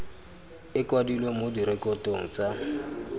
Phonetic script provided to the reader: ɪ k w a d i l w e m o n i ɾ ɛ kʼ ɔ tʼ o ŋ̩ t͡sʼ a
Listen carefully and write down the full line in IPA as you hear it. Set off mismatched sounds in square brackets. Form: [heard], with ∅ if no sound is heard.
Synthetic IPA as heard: ɪ k w a d i l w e m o [d] i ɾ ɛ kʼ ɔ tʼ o ŋ̩ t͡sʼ a